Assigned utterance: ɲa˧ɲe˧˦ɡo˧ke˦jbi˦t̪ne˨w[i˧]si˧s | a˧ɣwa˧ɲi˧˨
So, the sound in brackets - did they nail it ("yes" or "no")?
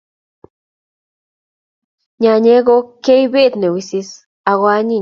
yes